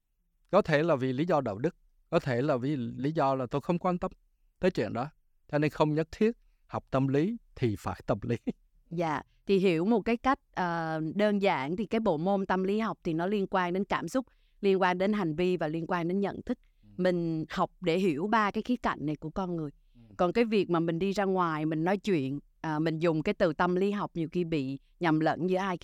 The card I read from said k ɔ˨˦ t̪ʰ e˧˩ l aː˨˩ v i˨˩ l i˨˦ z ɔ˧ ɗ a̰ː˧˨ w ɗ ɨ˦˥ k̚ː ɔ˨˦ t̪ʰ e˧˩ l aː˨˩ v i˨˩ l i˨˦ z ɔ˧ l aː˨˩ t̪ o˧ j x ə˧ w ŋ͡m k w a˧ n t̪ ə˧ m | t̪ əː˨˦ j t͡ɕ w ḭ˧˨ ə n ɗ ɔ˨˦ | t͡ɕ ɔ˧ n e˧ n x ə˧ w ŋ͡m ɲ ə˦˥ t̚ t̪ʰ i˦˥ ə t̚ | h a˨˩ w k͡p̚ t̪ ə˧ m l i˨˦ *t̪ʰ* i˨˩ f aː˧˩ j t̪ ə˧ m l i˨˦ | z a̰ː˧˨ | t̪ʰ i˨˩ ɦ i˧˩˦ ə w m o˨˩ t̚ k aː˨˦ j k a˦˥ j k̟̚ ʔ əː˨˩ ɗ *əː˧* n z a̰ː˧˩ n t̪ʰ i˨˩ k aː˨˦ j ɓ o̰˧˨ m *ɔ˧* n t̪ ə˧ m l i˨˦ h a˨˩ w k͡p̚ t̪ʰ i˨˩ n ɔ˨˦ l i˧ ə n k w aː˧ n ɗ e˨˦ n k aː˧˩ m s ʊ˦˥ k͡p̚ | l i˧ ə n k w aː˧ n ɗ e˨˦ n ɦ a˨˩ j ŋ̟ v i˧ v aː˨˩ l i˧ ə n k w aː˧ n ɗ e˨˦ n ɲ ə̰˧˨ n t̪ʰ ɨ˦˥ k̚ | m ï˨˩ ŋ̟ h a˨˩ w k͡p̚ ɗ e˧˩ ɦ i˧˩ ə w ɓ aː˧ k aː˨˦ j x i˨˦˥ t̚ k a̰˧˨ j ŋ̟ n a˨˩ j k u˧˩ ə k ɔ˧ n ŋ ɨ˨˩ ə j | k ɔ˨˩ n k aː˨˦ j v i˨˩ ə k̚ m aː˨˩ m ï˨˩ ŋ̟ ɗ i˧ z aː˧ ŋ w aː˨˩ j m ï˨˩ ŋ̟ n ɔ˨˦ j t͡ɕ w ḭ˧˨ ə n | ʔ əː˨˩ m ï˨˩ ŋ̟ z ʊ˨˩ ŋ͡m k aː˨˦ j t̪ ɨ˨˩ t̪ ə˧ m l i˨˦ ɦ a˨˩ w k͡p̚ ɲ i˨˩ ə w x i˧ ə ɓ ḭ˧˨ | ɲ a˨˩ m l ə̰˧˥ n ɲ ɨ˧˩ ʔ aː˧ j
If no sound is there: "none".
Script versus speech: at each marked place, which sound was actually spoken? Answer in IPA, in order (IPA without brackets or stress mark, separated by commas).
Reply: t̪ʰ, əː˧, o˧